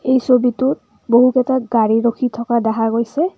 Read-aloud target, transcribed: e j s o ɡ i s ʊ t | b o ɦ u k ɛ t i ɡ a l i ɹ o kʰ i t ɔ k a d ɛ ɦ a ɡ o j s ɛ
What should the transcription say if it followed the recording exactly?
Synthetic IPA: e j s o b i t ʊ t | b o ɦ u k ɛ t a ɡ a ɹ i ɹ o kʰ i tʰ ɔ k a d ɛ ɦ a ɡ o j s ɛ